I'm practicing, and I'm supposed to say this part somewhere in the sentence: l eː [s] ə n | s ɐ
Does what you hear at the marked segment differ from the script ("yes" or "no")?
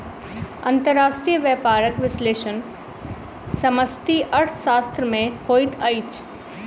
yes